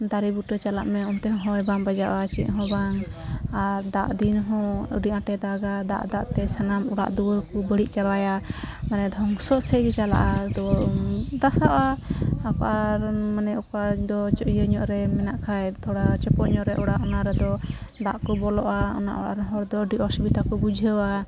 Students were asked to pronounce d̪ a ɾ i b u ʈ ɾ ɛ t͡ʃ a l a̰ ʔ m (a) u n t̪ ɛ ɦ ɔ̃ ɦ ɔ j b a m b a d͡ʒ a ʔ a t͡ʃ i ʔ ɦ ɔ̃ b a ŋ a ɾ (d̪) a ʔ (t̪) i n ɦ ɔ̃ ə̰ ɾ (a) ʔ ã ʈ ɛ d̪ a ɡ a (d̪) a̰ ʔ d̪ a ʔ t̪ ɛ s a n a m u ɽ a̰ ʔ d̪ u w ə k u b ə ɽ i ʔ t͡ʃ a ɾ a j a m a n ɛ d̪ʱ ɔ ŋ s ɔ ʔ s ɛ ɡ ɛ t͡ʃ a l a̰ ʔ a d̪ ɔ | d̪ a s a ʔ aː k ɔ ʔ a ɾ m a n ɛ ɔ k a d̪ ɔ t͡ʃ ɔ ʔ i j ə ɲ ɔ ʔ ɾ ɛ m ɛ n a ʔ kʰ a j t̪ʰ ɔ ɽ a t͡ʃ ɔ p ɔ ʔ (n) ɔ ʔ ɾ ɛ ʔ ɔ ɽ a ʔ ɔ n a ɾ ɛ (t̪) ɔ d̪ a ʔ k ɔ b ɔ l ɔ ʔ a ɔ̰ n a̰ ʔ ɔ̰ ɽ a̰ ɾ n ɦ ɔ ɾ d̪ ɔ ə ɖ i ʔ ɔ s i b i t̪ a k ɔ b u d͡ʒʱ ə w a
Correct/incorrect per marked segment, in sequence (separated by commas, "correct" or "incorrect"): incorrect, correct, incorrect, incorrect, correct, incorrect, incorrect